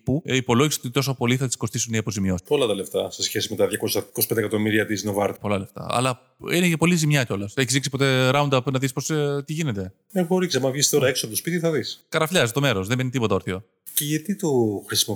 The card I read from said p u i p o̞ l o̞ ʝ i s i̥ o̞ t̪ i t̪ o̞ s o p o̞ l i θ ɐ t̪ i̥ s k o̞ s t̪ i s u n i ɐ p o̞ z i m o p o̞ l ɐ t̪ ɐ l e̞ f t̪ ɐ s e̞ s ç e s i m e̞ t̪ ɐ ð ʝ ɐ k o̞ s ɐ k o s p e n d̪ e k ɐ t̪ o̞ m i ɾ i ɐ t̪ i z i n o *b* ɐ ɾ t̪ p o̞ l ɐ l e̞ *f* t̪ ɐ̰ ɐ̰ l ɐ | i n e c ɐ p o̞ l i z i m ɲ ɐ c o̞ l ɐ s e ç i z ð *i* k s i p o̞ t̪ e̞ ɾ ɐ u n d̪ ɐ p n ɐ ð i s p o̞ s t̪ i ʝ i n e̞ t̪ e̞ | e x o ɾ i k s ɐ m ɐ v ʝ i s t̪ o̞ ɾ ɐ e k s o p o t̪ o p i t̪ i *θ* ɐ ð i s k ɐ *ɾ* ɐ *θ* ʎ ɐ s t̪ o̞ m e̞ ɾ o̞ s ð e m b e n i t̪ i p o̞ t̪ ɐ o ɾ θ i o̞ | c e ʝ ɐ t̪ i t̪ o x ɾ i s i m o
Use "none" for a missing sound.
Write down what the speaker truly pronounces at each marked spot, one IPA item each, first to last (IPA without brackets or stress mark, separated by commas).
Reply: v, f, i, θ, ɾ, f